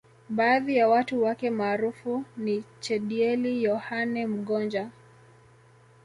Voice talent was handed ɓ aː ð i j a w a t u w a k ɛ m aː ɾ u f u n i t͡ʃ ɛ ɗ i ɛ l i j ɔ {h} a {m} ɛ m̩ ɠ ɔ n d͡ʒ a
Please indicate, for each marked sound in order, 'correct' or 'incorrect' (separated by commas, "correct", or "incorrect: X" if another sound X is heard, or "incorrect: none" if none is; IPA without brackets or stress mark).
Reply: correct, incorrect: n